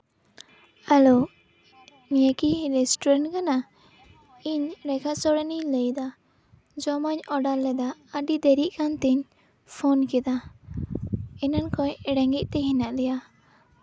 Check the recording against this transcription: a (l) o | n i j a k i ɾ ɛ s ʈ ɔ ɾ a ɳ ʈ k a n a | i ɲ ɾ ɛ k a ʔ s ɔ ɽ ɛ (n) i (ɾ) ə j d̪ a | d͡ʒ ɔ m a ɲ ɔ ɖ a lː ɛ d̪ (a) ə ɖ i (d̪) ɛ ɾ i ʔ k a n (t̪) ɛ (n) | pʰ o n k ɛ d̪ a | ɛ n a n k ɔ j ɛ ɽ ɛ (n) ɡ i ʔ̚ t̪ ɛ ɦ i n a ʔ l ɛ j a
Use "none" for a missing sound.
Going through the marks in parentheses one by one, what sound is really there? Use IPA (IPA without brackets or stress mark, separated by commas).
l, n, l, a, d̪, t̪, ɲ, ŋ